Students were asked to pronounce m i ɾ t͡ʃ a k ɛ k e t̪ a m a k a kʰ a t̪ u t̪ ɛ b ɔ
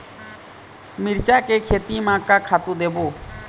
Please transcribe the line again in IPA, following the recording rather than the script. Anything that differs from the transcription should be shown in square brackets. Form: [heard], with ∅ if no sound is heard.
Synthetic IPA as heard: m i ɾ t͡ʃ a k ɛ [kʰ] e t̪ [i] m a k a kʰ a t̪ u [d̪] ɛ b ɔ